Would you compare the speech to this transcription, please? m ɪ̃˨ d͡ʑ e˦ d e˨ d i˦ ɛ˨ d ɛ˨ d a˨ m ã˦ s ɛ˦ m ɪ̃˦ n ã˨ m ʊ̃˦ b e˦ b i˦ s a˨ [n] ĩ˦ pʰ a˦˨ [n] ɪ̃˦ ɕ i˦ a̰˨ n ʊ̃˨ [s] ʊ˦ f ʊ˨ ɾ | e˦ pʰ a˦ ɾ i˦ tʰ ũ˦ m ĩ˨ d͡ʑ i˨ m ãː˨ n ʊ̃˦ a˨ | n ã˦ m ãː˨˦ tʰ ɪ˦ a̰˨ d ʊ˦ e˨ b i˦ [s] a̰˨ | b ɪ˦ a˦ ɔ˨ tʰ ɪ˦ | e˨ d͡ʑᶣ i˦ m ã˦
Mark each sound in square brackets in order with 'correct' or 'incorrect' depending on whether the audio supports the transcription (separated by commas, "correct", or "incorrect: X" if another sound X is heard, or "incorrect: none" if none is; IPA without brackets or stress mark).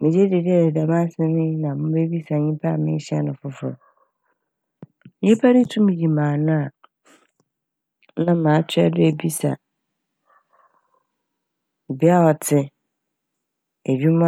incorrect: ɲ, incorrect: m, incorrect: f, correct